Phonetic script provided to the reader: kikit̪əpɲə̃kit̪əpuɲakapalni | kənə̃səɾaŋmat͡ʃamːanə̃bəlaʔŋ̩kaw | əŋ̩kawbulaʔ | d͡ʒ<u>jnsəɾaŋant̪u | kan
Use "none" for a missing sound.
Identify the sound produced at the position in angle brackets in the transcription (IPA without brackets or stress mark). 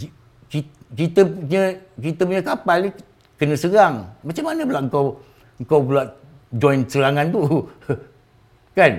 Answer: ɔ